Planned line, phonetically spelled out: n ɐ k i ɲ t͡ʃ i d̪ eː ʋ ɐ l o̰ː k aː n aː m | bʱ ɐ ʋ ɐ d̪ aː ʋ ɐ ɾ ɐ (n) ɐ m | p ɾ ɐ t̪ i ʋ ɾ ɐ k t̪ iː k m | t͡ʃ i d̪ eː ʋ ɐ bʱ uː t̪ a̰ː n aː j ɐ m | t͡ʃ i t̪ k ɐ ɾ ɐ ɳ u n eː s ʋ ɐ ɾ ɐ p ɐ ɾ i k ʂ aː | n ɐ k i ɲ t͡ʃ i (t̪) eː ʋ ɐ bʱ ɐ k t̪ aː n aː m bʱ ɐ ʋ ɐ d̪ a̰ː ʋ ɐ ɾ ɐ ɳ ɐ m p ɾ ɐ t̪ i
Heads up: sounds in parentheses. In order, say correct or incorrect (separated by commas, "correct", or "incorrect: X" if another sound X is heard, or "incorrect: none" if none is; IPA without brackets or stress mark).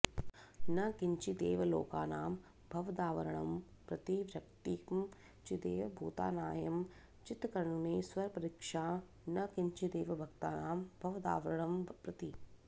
incorrect: ɳ, incorrect: d̪